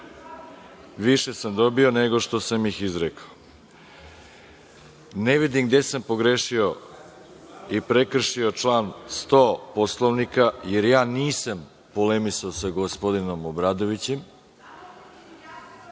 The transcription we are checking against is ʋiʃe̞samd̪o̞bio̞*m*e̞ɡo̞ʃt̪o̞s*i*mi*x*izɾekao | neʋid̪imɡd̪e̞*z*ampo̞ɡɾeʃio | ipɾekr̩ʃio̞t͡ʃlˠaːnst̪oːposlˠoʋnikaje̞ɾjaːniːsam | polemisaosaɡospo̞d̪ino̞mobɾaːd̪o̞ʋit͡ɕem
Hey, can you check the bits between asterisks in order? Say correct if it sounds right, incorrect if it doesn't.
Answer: incorrect, incorrect, correct, incorrect

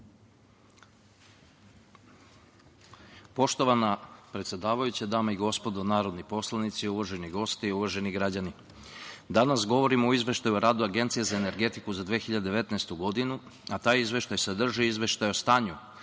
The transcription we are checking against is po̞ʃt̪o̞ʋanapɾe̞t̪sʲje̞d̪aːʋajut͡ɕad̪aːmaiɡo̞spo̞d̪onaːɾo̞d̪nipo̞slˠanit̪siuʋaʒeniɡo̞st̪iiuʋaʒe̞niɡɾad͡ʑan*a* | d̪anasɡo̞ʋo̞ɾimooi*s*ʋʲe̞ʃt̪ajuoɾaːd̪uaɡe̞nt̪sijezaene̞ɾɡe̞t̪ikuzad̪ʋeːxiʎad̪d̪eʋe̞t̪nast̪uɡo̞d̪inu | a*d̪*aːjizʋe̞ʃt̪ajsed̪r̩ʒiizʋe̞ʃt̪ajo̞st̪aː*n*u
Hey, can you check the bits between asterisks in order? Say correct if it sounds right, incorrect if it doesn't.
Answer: incorrect, incorrect, incorrect, incorrect

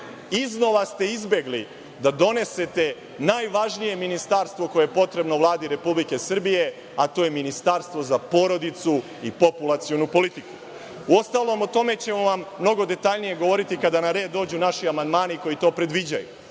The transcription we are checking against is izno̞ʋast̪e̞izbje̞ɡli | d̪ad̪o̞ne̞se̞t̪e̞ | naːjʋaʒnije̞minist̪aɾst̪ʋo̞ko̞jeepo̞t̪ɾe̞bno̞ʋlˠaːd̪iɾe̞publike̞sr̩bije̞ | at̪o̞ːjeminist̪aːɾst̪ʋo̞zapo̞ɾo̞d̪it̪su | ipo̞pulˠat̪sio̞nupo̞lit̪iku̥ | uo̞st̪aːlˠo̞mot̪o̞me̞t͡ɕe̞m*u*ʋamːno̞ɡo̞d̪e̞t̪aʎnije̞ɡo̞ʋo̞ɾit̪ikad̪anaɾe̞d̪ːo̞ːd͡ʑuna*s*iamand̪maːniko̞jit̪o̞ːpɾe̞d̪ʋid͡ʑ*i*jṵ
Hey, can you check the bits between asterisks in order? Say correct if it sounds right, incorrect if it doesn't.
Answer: incorrect, incorrect, incorrect

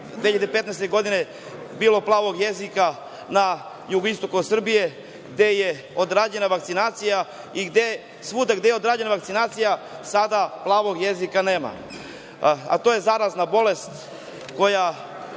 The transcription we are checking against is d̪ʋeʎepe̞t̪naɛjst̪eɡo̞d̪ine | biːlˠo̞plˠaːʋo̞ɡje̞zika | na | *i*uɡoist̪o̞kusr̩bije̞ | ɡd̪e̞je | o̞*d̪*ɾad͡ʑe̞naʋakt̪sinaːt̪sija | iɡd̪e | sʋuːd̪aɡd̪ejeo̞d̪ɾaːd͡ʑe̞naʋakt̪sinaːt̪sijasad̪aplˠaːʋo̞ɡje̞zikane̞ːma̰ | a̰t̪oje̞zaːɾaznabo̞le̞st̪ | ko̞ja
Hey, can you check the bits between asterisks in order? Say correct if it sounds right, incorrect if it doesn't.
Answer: incorrect, correct

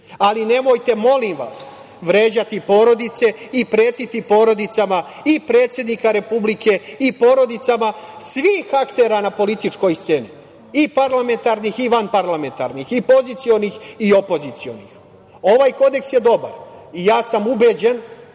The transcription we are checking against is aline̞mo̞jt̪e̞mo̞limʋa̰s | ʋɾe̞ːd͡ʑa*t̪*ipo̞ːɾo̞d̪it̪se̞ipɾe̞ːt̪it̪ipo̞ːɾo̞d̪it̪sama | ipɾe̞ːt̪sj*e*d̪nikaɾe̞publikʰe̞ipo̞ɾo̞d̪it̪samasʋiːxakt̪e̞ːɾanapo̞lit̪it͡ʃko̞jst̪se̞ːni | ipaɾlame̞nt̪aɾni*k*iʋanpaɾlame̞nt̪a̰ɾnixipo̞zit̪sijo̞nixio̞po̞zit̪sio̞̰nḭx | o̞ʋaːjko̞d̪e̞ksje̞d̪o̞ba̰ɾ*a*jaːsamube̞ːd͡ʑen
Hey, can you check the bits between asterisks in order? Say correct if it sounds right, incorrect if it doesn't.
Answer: correct, correct, incorrect, incorrect

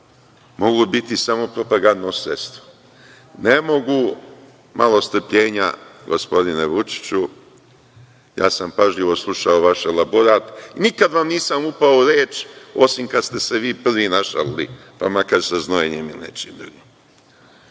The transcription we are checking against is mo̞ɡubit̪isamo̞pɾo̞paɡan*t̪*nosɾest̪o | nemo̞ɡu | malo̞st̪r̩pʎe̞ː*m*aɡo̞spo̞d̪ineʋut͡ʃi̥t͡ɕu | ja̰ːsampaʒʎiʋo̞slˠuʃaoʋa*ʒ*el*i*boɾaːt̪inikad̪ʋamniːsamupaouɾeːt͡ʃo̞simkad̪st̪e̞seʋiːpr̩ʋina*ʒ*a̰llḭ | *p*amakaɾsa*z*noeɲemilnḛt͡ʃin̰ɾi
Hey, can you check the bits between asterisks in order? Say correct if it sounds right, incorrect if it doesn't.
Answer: incorrect, incorrect, incorrect, incorrect, incorrect, correct, correct

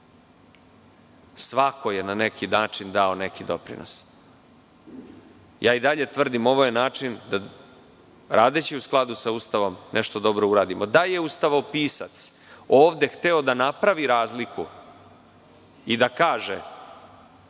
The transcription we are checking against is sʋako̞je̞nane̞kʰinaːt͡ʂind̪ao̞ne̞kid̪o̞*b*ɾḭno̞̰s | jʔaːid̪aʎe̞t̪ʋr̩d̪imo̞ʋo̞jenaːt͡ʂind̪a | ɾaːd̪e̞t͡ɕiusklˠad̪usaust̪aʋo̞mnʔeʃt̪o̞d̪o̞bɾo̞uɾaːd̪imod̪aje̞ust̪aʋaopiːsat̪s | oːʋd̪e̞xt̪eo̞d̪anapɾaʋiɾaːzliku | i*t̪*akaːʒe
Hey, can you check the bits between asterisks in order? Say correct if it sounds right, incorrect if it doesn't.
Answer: incorrect, incorrect

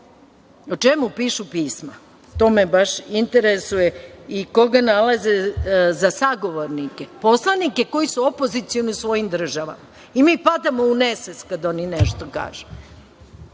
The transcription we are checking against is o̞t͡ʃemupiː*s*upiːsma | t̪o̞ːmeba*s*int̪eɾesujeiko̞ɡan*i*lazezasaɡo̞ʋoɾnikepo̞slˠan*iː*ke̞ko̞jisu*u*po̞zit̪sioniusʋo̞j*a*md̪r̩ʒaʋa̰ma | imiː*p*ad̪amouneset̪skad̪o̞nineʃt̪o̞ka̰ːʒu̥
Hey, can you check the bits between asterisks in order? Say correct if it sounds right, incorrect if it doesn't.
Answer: incorrect, incorrect, incorrect, incorrect, incorrect, incorrect, correct

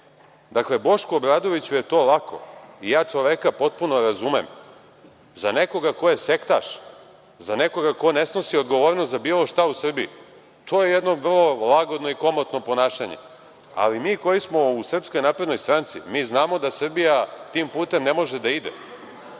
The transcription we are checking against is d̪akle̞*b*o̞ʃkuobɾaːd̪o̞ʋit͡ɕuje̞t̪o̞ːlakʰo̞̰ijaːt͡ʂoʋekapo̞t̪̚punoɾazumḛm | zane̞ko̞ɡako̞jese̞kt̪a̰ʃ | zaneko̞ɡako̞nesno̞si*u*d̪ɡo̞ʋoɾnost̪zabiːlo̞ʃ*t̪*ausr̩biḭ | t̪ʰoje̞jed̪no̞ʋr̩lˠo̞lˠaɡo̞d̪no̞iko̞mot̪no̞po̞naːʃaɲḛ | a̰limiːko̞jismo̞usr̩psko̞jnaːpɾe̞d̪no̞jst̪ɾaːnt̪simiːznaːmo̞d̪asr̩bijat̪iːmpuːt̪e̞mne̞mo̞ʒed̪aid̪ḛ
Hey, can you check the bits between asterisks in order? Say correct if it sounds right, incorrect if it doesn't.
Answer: correct, incorrect, correct

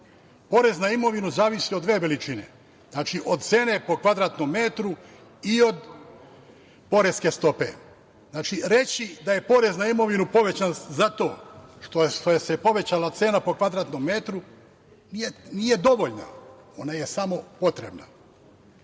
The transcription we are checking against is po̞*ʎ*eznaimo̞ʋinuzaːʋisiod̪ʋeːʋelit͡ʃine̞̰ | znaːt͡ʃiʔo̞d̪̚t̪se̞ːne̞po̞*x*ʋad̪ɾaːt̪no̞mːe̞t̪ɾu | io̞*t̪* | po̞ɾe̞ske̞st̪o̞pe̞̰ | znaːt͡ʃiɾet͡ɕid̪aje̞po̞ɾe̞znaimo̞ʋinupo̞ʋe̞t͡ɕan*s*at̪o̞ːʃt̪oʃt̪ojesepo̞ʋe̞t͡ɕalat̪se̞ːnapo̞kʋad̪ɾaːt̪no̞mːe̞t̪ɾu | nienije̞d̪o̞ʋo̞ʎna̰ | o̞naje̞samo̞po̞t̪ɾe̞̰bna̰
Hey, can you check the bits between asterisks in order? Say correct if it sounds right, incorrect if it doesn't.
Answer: incorrect, incorrect, incorrect, incorrect

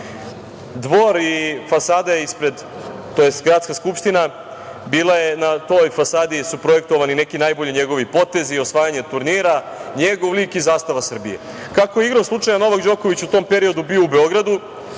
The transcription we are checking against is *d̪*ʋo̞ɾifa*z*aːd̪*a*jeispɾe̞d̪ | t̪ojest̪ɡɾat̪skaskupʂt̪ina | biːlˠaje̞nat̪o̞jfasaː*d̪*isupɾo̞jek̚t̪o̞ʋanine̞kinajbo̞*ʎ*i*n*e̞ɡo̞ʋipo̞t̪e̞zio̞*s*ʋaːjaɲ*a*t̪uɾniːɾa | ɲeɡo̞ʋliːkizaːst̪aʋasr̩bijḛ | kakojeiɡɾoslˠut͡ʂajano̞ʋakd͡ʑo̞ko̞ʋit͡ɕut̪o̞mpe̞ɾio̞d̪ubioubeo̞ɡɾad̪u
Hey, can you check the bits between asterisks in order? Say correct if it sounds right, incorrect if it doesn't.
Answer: correct, incorrect, correct, correct, correct, incorrect, correct, incorrect

